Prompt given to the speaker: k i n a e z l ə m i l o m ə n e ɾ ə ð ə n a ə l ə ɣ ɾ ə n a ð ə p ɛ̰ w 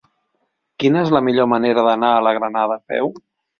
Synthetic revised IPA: k i n ə e z l ə m i ʎ o m ə n e ɾ ə ð ə n a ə l ə ɣ ɾ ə n a ð ə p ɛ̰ w